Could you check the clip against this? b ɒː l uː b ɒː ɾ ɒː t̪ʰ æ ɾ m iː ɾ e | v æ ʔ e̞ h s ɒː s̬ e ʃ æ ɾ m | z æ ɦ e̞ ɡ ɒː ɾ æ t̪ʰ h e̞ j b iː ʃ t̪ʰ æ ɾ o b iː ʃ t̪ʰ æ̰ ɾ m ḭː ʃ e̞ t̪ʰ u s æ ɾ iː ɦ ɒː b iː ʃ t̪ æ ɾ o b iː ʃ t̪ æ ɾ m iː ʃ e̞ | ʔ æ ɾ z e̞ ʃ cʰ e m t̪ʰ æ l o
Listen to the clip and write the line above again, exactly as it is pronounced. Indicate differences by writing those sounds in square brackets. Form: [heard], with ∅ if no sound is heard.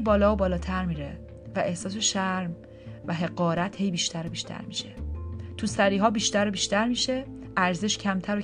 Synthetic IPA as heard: b ɒː l [ɒː] b ɒː [l] ɒː t̪ʰ æ ɾ m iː ɾ e | v æ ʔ e̞ h s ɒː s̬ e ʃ æ ɾ m | [v] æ ɦ e̞ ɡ ɒː ɾ æ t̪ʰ h e̞ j b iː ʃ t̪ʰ æ ɾ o b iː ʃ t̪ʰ æ̰ ɾ m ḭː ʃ e̞ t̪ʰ u s æ ɾ iː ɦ ɒː b iː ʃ t̪ æ ɾ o b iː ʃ t̪ æ ɾ m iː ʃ e̞ | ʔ æ ɾ z e̞ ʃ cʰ [æ] m t̪ʰ æ [ɾ] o